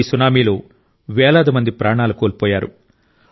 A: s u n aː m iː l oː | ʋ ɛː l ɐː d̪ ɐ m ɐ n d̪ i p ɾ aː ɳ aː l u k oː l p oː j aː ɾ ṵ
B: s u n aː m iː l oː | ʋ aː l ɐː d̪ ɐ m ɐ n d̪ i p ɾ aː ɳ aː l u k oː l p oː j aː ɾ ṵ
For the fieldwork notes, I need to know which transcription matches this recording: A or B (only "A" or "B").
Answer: A